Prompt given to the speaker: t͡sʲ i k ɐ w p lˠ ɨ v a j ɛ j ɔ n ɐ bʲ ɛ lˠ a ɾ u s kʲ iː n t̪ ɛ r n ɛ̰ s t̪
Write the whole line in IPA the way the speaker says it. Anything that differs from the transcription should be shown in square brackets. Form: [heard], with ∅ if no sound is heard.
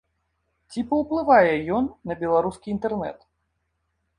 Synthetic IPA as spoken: t͡sʲ i [p] ɐ w p lˠ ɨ v a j ɛ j ɔ [nː] ɐ bʲ ɛ lˠ a ɾ u s kʲ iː n t̪ ɛ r n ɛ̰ [∅] t̪